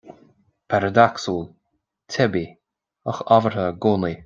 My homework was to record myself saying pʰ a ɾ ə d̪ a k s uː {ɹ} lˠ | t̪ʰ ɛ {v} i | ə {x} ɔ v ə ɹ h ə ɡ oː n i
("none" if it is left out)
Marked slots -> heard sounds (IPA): none, b, x

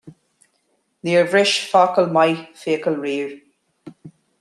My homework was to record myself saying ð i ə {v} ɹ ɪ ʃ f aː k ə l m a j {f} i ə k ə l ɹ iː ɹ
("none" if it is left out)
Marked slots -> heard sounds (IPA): v, f

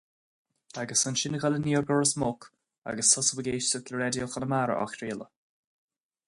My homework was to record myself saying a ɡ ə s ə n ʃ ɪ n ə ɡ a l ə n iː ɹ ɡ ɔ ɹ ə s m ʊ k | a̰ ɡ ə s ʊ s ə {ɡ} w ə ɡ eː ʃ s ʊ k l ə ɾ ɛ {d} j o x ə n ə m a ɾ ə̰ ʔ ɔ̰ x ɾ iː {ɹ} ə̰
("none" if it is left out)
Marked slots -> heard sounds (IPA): none, d, l

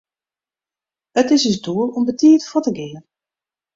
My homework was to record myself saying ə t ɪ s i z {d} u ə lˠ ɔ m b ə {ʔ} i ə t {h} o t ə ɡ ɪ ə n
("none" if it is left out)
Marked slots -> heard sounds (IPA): d, t, f

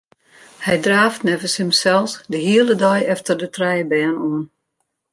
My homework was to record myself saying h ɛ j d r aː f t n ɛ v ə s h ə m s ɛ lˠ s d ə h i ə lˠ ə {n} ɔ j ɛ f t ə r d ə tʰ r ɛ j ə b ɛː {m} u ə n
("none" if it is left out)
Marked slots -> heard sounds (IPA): d, n

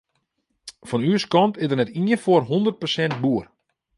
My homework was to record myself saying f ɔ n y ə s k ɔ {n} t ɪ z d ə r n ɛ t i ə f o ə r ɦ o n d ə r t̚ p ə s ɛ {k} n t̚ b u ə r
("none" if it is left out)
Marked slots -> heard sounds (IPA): n, none

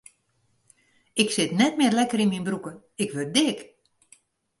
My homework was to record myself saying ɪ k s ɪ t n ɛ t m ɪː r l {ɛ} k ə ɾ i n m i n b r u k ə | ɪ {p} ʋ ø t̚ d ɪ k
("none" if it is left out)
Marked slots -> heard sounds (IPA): ɛ, k

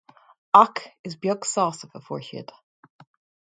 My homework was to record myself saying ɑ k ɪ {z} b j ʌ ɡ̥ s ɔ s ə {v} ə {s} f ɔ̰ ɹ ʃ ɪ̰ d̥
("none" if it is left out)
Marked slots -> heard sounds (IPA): z, v, none

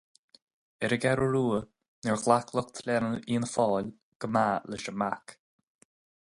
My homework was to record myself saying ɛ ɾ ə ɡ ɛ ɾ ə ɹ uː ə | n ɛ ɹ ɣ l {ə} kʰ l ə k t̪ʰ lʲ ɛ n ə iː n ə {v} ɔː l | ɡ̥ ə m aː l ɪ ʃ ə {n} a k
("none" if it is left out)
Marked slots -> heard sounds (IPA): a, f, m

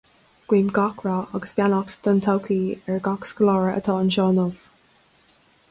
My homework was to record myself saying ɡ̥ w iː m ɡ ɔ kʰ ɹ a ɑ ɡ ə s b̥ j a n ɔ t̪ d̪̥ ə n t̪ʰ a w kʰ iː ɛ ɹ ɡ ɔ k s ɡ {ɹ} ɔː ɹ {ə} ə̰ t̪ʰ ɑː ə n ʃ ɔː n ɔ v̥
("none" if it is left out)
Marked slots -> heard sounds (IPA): l, ə

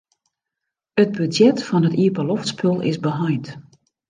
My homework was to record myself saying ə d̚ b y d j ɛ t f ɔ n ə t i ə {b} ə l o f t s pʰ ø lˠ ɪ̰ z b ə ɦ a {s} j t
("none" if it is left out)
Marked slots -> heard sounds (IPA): p, none

